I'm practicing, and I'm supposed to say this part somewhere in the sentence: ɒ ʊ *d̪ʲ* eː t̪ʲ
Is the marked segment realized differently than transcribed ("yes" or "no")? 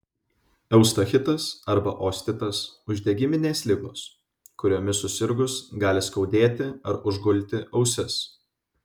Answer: no